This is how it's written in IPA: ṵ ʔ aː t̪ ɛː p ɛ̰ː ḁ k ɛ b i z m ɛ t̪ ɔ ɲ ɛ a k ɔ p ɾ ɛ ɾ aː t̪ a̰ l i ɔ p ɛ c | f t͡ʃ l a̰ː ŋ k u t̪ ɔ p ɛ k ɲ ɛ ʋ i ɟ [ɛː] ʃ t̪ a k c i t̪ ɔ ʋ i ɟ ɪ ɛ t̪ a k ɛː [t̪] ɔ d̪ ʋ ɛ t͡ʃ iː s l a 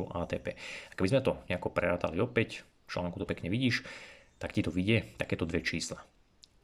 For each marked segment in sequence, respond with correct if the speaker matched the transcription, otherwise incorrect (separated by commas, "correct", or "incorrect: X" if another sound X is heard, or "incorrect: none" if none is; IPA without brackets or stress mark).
incorrect: iː, correct